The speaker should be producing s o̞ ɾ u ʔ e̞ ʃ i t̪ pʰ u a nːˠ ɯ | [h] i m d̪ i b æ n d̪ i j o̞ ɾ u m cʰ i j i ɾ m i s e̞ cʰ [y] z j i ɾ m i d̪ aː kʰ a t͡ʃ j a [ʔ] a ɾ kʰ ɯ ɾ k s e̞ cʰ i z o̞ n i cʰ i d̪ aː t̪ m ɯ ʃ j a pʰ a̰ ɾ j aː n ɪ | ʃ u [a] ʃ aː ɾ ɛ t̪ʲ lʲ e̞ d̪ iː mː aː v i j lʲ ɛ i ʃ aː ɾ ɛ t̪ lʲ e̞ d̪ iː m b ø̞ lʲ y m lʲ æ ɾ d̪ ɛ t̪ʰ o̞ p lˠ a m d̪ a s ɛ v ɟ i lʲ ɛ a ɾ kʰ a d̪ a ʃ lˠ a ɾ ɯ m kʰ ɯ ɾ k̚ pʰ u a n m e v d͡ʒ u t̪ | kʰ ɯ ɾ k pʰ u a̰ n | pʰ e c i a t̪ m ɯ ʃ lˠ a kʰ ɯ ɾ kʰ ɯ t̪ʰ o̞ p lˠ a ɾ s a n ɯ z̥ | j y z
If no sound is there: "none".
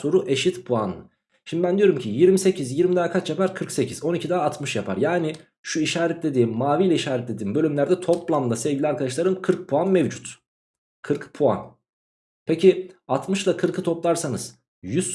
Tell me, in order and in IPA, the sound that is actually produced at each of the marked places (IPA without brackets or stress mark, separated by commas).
ʃ, i, p, i